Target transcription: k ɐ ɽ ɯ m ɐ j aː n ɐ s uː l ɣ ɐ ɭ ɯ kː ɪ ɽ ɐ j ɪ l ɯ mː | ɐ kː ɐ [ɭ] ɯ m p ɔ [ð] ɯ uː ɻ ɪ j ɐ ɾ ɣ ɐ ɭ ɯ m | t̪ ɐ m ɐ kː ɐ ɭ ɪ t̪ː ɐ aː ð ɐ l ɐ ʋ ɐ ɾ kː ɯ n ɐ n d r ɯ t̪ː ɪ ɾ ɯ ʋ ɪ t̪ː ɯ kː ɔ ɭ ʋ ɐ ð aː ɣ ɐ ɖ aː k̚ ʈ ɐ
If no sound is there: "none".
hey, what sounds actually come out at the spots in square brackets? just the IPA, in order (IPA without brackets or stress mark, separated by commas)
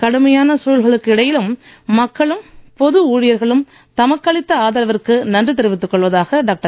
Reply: ɭ, ð